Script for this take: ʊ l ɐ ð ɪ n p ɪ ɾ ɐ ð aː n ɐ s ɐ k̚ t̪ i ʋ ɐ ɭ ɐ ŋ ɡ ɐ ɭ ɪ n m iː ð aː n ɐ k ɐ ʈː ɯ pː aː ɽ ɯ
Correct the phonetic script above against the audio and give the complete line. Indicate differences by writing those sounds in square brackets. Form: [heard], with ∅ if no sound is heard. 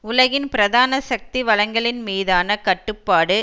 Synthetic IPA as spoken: ʊ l ɐ [ɣ] ɪ n p ɪ ɾ ɐ ð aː n ɐ s ɐ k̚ t̪ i ʋ ɐ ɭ ɐ ŋ ɡ ɐ ɭ ɪ n m iː ð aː n ɐ k ɐ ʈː ɯ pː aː ɽ ɯ